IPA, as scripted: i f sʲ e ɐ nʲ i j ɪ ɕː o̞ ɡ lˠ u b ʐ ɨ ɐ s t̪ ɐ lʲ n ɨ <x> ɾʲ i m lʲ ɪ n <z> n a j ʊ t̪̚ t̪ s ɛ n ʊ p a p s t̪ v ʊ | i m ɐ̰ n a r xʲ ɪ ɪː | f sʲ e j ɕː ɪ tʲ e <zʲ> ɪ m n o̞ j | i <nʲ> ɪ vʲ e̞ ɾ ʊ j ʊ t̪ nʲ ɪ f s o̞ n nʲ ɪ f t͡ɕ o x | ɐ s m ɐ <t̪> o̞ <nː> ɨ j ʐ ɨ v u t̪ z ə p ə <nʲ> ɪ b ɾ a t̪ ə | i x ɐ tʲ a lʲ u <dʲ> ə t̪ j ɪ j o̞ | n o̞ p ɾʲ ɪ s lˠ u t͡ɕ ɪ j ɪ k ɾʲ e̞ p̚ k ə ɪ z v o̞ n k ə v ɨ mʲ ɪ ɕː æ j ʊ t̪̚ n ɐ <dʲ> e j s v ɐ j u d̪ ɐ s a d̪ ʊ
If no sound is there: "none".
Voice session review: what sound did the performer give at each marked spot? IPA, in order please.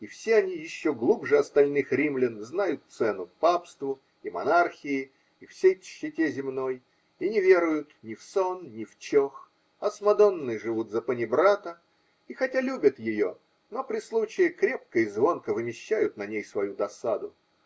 x, z, zʲ, nʲ, d̪, nː, nʲ, bʲ, nʲ

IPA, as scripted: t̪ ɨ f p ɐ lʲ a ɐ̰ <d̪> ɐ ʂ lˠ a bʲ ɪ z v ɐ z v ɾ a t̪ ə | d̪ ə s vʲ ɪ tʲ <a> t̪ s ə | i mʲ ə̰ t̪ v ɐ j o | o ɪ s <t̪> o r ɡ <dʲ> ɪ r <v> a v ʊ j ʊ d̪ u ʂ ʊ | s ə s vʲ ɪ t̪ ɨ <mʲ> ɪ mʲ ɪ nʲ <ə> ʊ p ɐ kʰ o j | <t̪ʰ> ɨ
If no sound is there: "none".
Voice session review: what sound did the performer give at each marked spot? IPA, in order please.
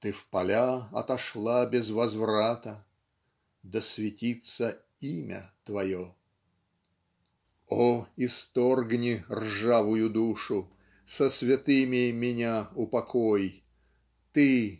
t̪, i, t̪, nʲ, ʐ, mʲ, a, t̪

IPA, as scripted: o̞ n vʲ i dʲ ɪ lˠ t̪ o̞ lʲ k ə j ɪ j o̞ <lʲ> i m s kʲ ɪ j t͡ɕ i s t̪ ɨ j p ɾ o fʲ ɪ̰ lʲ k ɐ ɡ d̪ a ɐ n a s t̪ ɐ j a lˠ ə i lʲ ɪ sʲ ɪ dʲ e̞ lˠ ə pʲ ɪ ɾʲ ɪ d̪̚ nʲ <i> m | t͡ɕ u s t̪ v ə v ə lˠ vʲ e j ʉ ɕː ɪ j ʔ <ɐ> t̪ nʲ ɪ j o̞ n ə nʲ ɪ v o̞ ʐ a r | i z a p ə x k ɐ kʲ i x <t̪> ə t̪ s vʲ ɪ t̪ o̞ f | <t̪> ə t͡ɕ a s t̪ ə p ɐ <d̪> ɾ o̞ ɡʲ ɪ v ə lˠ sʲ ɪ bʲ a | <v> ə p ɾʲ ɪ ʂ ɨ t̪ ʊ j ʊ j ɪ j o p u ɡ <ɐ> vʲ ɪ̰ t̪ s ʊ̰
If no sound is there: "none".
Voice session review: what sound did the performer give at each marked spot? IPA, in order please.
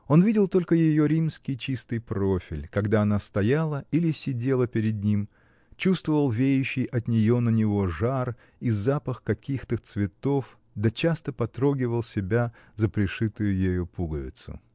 ɾʲ, i, ɐ, t̪, d̪, t̪, z, ə

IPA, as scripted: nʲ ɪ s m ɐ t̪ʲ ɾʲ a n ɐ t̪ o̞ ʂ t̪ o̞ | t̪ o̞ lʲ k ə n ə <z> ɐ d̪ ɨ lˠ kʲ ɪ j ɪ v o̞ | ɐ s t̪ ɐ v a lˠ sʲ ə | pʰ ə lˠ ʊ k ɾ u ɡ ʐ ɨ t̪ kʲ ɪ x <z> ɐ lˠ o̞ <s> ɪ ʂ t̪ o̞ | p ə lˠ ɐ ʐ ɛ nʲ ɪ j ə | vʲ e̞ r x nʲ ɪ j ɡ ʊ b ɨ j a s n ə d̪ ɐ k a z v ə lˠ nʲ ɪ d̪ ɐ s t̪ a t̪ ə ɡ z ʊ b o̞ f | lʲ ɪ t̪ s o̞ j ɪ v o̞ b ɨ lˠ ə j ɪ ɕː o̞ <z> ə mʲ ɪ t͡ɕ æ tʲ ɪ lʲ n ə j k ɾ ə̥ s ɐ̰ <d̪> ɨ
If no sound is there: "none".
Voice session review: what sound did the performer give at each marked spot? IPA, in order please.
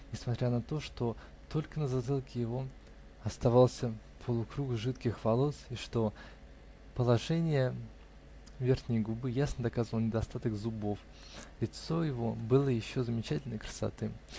z, v, s, z, t̪

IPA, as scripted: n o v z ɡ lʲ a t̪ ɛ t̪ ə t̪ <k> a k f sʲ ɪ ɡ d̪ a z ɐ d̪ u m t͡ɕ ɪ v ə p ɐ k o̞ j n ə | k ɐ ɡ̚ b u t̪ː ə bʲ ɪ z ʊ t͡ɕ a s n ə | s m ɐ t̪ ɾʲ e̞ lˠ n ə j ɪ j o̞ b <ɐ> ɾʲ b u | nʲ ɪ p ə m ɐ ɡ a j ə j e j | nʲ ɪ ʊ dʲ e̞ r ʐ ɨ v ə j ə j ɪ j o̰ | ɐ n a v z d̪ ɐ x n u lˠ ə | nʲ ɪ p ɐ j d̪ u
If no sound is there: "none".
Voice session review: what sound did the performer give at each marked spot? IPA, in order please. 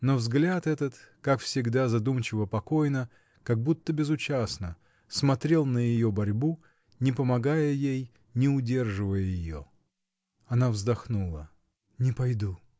k, ɐ

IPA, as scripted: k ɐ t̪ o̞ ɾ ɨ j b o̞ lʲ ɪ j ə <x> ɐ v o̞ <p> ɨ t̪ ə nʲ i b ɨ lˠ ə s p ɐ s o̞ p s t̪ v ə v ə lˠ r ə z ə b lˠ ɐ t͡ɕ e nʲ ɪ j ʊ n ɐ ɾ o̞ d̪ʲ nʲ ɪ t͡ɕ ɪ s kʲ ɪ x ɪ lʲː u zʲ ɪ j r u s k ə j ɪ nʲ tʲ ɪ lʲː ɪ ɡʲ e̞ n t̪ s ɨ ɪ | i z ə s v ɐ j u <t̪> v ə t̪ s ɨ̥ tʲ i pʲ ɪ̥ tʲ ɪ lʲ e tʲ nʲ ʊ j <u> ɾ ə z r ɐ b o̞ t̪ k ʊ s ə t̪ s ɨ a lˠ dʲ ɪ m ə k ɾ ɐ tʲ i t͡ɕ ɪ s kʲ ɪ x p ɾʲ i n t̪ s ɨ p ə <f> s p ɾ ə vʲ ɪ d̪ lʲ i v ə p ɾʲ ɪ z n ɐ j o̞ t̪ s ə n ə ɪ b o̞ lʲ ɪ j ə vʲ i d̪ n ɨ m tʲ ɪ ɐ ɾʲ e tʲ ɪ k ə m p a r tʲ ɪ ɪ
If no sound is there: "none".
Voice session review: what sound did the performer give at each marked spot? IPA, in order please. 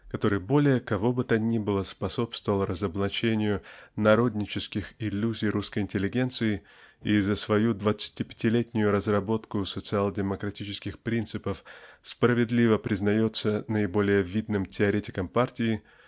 k, b, d̪, ʊ, f

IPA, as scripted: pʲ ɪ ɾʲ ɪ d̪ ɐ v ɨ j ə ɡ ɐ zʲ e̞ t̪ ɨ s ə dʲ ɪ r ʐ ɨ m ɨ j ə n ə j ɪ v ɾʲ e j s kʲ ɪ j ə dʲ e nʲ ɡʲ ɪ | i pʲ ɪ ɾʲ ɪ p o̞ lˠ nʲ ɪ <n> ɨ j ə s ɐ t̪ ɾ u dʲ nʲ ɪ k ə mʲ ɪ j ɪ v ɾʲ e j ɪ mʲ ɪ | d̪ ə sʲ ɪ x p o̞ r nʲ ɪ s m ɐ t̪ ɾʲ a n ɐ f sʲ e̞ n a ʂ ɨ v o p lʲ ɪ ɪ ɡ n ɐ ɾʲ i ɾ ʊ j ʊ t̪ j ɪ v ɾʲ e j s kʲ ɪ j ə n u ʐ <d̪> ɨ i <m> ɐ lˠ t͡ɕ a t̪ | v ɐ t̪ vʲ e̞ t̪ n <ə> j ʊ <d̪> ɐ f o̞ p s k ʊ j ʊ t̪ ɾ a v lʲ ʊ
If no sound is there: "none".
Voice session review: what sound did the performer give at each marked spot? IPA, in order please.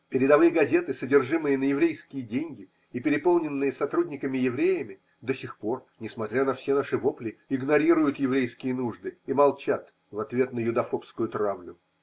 nː, d̪, m, ə, d̪

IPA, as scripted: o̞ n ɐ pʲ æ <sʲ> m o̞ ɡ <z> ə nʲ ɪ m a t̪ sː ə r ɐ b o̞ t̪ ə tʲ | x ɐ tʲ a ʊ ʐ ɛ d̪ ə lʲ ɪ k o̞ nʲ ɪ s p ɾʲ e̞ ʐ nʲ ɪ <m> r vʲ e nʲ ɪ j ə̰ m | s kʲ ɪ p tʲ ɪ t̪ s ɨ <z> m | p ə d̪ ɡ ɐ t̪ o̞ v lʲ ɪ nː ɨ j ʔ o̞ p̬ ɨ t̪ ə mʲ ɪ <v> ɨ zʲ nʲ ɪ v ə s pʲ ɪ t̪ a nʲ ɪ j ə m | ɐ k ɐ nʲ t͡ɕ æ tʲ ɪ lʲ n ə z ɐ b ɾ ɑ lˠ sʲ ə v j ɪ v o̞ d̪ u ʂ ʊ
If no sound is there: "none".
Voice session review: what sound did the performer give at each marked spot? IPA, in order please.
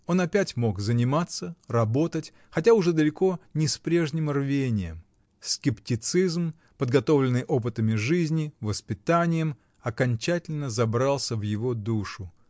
tʲ, z, m, z, ʐ

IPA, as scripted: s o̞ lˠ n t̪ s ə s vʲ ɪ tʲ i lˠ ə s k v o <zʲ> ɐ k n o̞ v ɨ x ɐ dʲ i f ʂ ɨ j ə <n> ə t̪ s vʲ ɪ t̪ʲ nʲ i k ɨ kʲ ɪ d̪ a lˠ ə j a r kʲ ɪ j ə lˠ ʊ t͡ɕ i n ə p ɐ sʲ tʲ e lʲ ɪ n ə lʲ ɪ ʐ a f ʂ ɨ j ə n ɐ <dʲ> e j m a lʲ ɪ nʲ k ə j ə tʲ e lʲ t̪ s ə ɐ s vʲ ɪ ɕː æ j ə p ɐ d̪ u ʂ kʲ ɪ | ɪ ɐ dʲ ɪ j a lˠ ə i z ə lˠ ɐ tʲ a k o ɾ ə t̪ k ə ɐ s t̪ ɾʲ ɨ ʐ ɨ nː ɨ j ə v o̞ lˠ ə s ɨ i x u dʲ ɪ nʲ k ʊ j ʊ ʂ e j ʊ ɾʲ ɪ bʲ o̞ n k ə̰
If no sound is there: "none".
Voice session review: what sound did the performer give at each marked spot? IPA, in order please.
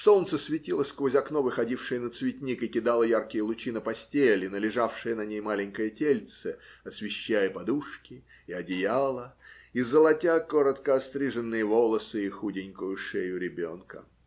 zʲ, n, nʲ

